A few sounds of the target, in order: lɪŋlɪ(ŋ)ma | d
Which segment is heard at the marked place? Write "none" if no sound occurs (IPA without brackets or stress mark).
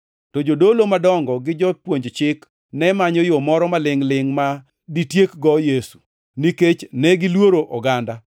ŋ